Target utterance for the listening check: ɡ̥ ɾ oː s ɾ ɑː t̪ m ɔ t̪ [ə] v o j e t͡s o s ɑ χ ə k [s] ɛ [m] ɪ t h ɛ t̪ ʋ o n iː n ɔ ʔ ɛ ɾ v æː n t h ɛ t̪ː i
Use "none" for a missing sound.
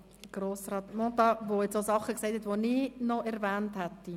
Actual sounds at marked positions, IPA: ɑ, s, none

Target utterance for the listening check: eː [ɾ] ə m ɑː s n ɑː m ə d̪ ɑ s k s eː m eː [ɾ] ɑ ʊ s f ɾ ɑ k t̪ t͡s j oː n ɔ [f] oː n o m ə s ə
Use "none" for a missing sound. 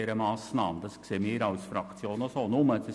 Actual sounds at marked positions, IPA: ɾ, ɾ, s

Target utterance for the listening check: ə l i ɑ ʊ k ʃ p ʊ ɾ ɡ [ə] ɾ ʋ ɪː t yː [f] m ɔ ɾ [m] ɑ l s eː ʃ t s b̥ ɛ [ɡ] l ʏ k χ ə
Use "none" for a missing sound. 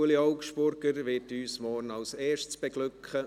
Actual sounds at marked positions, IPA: ə, s, n, ɡ

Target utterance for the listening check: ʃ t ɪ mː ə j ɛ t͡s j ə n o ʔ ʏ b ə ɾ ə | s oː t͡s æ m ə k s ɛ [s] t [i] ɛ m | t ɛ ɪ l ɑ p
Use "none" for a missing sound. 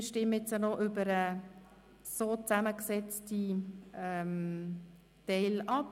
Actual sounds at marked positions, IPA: t͡s, i

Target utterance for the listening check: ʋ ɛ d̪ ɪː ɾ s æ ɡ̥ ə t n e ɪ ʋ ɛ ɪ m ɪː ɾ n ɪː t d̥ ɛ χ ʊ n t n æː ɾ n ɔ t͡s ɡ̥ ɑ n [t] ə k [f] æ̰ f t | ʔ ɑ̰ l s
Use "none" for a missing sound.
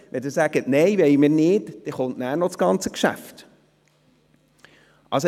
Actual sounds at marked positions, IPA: t͡s, ʃ

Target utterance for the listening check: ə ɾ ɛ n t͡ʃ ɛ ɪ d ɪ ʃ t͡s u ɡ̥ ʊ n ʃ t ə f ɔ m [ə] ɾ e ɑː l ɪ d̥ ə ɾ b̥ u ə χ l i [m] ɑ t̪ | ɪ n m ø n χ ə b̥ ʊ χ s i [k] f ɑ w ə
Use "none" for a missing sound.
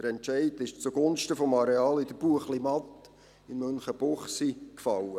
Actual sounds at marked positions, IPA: ɑ, m, k

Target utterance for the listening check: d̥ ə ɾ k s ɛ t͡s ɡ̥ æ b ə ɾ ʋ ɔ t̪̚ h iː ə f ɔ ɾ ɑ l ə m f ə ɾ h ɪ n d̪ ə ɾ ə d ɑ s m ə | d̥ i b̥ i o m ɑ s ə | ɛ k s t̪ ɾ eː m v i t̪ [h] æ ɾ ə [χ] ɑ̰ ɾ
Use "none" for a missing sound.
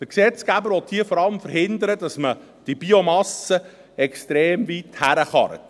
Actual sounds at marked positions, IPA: h, χ

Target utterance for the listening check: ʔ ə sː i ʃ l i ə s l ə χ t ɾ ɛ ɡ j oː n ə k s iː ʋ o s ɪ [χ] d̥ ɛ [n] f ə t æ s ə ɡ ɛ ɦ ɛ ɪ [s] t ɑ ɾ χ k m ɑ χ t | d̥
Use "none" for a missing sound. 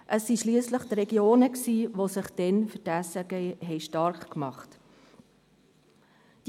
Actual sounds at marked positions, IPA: χ, n, ʃ

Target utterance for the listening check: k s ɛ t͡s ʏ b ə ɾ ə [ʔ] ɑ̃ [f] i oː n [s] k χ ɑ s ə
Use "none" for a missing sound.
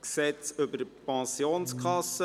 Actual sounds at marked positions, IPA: p, s, s

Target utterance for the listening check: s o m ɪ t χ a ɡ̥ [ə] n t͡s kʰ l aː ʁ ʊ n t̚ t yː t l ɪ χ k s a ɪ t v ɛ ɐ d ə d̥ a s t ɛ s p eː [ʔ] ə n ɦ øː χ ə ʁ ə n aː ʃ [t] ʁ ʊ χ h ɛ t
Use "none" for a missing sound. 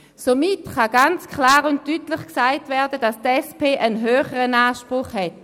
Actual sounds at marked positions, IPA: a, ʔ, p

